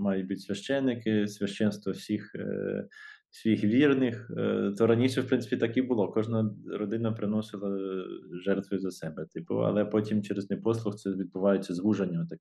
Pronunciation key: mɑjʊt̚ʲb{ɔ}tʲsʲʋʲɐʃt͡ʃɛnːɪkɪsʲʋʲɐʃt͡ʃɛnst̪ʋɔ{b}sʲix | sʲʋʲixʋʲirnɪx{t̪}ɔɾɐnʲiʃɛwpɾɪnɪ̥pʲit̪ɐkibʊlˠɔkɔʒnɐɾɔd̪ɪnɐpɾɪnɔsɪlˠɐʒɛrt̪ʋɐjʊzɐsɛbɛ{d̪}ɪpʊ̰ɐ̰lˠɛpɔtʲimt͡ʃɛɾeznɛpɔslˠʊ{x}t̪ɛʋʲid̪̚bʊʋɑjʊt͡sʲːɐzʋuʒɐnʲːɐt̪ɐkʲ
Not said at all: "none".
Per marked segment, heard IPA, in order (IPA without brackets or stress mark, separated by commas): u, w, t̪, t̪, x